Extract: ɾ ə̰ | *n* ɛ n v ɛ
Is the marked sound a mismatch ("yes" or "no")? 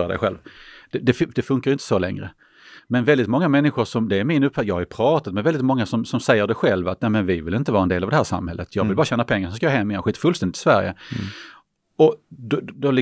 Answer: yes